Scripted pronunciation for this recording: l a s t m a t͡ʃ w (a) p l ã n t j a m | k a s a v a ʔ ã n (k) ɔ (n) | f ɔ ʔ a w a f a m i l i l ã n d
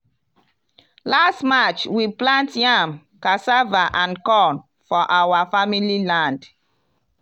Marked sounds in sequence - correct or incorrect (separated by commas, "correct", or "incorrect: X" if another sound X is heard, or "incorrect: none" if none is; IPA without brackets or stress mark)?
incorrect: i, correct, correct